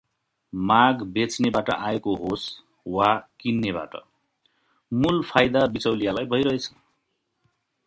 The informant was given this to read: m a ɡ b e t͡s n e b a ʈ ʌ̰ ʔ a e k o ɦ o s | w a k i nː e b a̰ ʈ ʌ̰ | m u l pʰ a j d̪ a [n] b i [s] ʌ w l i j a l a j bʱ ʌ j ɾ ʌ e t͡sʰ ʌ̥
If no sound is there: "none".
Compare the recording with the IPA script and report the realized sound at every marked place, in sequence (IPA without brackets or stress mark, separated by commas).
none, t͡s